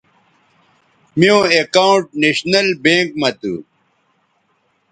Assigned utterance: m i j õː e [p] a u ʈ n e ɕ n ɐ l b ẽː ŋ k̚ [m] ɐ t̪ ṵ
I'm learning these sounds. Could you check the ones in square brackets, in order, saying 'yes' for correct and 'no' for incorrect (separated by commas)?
no, yes